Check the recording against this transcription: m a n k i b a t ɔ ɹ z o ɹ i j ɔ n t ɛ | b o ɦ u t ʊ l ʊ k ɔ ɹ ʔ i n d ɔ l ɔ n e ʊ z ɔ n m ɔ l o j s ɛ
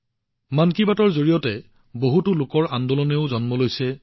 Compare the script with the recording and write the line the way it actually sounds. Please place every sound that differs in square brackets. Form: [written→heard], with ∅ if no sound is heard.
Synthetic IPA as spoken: m a n k i b a t ɔ ɹ z o ɹ i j ɔ [n→∅] t ɛ | b o ɦ u t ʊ l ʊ k ɔ ɹ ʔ [i→a] n d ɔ l ɔ n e ʊ z ɔ n m ɔ l o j s ɛ